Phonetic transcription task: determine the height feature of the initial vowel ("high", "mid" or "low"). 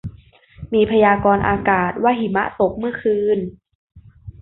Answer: high